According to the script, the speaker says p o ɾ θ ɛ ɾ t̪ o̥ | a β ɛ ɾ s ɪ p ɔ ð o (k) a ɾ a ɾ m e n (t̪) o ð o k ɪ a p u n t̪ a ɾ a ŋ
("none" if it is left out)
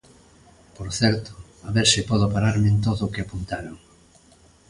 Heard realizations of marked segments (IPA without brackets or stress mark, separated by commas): p, t̪